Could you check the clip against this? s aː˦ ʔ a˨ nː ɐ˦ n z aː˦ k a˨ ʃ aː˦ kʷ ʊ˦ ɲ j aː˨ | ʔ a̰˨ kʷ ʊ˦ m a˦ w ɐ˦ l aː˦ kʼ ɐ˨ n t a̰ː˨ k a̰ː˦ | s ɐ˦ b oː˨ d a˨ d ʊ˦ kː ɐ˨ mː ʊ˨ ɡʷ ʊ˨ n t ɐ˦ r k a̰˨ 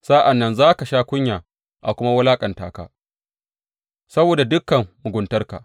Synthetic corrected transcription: s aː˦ ʔ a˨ nː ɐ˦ n z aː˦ k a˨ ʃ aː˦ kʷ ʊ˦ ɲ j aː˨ | ʔ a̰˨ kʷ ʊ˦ m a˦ w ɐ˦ l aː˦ kʼ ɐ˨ n t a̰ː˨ k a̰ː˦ | s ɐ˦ b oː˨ d a˨ d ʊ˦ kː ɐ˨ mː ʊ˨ ɡʷ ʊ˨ n t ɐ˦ r k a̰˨